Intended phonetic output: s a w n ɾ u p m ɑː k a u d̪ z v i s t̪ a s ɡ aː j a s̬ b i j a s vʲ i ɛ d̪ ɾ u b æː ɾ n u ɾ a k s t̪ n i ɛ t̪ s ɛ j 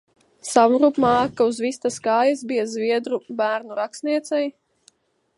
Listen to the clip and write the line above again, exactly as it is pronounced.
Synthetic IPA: s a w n ɾ u p m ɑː k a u z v i s t̪ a s k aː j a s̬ b i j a z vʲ i ɛ d̪ ɾ u b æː ɾ n u ɾ a k s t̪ n i ɛ t̪ s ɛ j

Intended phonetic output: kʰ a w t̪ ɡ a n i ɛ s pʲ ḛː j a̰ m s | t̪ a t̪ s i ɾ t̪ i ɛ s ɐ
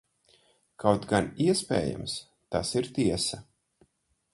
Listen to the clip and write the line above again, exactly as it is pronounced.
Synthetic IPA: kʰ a w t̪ ɡ a n i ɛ s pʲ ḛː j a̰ m s | t̪ a s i ɾ t̪ i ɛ s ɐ

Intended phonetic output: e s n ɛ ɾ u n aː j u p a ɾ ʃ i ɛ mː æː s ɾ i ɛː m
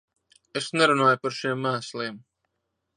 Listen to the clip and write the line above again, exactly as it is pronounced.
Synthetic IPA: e s n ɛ ɾ u n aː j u p a ɾ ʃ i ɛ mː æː s l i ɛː m

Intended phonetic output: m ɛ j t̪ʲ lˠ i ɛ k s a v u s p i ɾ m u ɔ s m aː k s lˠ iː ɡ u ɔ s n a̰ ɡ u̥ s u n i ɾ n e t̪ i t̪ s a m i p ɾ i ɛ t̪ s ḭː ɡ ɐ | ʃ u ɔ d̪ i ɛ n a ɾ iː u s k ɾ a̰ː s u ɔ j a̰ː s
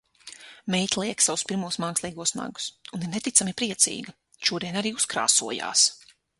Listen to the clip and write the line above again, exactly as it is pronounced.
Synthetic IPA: m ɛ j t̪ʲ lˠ i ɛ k s a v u s p i ɾ m u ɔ s m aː k s lˠ iː ɡ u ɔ s n a̰ ɡ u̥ s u n i ɾ n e t̪ i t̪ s a m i p ɾ i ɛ t̪ s ḭː ɡ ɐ | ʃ u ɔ d̪ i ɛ n a ɾ iː u s k ɾ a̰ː s u ɔ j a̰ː s

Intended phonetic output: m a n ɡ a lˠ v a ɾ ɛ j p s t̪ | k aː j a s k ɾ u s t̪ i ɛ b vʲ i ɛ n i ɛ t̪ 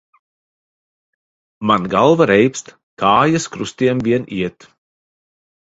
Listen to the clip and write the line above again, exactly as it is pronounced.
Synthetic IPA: m a n ɡ a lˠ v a ɾ ɛ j p s t̪ | k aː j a s k ɾ u s t̪ i ɛ m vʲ i ɛ n i ɛ t̪

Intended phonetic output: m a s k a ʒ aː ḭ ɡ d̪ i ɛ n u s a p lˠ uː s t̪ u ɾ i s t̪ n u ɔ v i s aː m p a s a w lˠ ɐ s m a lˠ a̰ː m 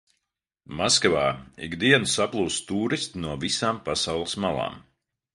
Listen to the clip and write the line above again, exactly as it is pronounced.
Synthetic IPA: m a s k a v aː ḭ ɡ d̪ i ɛ n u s a p lˠ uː s t̪ uː ɾ i s t̪ n u ɔ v i s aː m p a s a w lˠ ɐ s m a lˠ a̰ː m

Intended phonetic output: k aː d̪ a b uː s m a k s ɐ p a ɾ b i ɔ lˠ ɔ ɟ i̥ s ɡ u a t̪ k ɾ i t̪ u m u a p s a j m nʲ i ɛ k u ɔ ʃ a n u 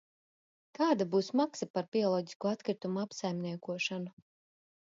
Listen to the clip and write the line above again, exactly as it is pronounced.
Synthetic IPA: k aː d̪ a b uː s m a k s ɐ p a ɾ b i ɔ lˠ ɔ ɟ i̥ s k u a t̪ k ɾ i t̪ u m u a p s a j m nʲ i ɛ k u ɔ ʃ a n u

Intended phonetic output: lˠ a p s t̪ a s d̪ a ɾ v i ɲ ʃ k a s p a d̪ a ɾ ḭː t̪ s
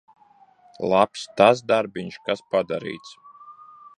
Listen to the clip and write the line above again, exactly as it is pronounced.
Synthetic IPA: lˠ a p s t̪ a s d̪ a ɾ b i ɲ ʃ k a s p a d̪ a ɾ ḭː t̪ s

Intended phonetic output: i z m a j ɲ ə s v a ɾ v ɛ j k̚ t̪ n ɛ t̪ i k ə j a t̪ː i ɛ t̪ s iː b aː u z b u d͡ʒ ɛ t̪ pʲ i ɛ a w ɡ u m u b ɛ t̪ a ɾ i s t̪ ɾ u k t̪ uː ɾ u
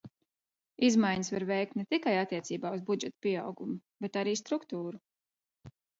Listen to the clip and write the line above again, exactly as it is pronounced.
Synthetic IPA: i z m a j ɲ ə s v a ɾ v ɛ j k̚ t̪ n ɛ t̪ i k a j a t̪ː i ɛ t̪ s iː b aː u z b u d͡ʒ ɛ t̪ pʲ i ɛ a w ɡ u m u b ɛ t̪ a ɾ iː s t̪ ɾ u k t̪ uː ɾ u

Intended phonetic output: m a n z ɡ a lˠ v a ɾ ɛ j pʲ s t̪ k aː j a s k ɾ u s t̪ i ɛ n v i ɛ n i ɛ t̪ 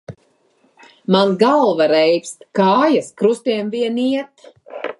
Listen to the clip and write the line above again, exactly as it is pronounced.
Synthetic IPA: m a n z ɡ a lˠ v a ɾ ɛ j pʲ s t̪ k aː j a s k ɾ u s t̪ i ɛ m v i ɛ n i ɛ t̪

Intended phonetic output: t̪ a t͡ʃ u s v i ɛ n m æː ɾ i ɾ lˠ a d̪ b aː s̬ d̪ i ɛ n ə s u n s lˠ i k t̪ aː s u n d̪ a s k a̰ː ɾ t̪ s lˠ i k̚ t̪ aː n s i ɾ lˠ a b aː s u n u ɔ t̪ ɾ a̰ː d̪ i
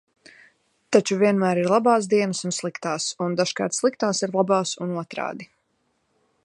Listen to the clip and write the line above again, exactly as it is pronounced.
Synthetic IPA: t̪ a t͡ʃ u v i ɛ n m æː ɾ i ɾ lˠ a b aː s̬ d̪ i ɛ n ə s u n s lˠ i k t̪ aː s u n d̪ a ʃ k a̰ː ɾ t̪ s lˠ i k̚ t̪ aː s i ɾ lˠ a b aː s u n u ɔ t̪ ɾ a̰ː d̪ i

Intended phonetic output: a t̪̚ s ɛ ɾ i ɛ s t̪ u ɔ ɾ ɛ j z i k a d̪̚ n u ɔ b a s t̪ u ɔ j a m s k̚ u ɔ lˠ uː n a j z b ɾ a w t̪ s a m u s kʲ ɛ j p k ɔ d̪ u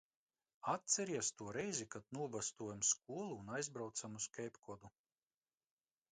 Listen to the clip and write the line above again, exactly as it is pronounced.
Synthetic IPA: a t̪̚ s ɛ ɾ i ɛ s t̪ u ɔ ɾ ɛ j z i k a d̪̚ n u ɔ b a s t̪ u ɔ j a m s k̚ u ɔ lˠ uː n a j z b ɾ a w t̪ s a m u s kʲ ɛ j p k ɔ d̪ u

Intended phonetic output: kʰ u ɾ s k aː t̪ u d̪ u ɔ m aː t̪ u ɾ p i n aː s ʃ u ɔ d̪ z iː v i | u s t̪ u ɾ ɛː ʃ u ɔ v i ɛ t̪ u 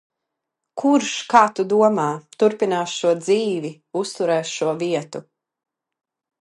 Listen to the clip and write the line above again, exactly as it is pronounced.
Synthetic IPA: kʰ u ɾ ʃ k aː t̪ u d̪ u ɔ m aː t̪ u ɾ p i n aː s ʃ u ɔ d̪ z iː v i | u s t̪ u ɾ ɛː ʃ u ɔ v i ɛ t̪ u

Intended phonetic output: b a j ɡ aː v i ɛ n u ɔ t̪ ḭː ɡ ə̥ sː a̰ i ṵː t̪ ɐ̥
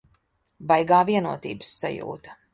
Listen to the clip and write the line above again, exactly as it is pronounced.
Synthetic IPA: b a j ɡ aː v i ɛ n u ɔ t̪ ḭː b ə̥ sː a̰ j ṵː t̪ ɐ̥

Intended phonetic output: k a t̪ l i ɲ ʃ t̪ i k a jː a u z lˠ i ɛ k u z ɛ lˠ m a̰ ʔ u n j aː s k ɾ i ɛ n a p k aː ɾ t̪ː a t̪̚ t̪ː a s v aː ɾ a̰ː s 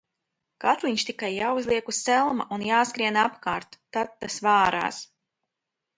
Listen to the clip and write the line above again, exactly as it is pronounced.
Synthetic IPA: k a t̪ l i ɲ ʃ t̪ i k a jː a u z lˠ i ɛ k u s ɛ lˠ m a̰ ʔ u n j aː s k ɾ i ɛ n a p k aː ɾ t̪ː a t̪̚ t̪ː a s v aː ɾ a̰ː s

